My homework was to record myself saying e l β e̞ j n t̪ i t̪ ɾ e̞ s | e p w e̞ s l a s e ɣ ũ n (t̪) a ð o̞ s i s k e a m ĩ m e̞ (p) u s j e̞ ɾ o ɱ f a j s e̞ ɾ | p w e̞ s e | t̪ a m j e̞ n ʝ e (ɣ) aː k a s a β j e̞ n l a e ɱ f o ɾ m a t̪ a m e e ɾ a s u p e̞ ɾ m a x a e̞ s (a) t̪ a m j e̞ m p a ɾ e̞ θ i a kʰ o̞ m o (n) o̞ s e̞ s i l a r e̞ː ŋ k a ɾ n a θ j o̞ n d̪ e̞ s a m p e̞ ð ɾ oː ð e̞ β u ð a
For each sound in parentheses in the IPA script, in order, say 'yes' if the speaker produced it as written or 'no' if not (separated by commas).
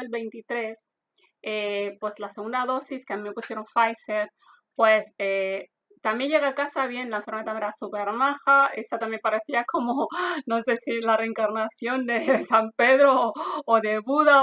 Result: no, yes, yes, yes, yes